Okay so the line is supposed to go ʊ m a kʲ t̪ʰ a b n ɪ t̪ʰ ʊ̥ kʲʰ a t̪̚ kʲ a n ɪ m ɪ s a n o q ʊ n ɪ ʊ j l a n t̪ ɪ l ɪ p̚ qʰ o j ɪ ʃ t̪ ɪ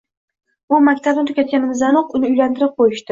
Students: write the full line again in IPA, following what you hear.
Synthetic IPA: ʊ m a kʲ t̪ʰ a b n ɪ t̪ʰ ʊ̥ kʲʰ a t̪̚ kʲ a n ɪ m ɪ z a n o q ʊ n ɪ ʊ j l a n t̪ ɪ ɾ ɪ p̚ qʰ o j ɪ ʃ t̪ ɪ